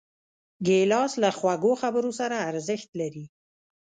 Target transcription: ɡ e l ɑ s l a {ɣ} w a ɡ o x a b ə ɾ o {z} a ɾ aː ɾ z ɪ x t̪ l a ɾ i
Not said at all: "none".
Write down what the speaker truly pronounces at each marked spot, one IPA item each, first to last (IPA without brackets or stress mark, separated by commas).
x, s